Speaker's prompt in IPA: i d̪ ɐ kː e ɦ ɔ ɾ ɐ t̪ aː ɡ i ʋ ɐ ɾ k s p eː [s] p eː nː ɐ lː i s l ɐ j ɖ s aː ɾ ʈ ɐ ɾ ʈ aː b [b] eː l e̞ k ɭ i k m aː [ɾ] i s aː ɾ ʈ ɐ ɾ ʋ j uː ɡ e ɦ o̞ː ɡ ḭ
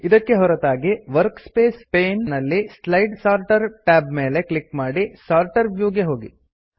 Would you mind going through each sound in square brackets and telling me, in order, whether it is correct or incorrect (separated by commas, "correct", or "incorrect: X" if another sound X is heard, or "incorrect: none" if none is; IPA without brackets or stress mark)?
correct, incorrect: m, incorrect: ɽ